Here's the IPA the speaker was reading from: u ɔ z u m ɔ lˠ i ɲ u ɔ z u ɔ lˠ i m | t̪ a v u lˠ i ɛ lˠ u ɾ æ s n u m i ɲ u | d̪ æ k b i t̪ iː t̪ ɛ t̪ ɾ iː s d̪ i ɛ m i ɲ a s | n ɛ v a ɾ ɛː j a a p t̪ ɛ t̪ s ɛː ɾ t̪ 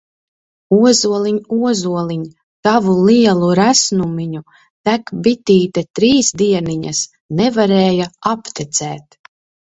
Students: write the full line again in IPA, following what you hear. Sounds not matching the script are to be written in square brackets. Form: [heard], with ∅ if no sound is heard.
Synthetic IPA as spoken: u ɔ z u [∅] ɔ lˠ i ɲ u ɔ z u ɔ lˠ i [ɲ] | t̪ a v u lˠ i ɛ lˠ u ɾ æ s n u m i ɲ u | [t̪] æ k b i t̪ iː t̪ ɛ t̪ ɾ iː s d̪ i ɛ [n] i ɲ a s | n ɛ v a ɾ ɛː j a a p t̪ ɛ t̪ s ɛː [∅] t̪